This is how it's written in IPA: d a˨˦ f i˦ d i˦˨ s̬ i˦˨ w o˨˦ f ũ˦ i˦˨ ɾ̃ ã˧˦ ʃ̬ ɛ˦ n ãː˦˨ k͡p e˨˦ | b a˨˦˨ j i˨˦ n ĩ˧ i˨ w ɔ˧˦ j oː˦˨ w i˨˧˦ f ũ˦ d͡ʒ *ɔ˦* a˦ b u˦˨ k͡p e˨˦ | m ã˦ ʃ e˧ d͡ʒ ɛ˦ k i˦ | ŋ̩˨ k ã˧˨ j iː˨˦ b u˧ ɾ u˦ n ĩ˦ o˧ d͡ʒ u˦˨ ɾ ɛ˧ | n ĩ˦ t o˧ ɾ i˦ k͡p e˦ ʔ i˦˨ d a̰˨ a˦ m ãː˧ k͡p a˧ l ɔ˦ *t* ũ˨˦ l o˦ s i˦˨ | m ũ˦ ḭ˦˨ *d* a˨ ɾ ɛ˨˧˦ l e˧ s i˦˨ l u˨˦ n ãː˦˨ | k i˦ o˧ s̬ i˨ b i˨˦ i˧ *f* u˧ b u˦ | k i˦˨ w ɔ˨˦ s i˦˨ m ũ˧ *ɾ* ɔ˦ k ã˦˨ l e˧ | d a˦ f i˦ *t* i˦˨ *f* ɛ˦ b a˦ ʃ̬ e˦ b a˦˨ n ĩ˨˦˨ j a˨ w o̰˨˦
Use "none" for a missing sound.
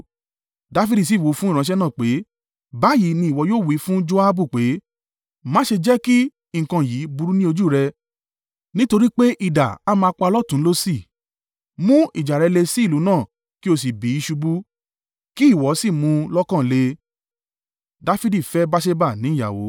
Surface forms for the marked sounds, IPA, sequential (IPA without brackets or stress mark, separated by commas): o˦, t, d͡ʒ, ʃ, l, d, f